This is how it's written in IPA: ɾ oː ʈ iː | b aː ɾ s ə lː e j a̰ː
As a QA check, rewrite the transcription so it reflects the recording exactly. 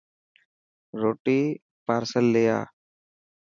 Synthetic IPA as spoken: ɾ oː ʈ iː | p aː ɾ s ə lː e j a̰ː